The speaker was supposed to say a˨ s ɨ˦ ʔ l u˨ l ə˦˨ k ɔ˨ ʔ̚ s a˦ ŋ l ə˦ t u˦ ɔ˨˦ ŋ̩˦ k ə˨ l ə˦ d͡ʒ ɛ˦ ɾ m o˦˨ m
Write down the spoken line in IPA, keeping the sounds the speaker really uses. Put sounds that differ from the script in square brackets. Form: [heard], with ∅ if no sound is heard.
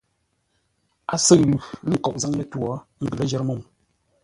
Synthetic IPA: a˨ s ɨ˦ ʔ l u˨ l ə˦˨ k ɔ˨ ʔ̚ [z] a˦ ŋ l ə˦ t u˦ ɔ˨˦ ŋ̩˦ [ɡ] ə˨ l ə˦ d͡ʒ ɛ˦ ɾ m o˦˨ m